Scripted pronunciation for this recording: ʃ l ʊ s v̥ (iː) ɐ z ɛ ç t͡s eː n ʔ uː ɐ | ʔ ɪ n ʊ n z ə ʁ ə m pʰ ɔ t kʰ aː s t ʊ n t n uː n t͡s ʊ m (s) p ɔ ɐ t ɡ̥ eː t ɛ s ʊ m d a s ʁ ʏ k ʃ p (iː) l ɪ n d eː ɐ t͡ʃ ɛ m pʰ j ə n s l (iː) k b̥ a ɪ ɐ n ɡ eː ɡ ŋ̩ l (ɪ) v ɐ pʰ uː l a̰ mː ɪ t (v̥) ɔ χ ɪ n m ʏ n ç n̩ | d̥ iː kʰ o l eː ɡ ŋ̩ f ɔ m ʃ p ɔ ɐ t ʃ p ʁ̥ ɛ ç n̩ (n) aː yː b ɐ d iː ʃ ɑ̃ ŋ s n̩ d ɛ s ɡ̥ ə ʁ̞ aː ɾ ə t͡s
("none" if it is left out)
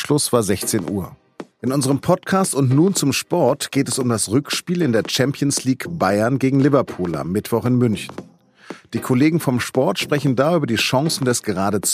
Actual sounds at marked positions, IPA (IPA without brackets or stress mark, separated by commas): aː, ʃ, iː, iː, ɪ, v̥, d